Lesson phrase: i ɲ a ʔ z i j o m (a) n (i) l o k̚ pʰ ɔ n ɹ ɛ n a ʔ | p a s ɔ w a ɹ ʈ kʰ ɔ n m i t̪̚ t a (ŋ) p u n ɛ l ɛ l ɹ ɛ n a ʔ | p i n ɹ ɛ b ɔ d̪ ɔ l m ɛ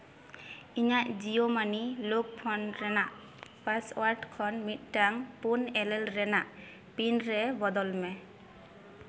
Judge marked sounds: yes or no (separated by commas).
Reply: yes, yes, yes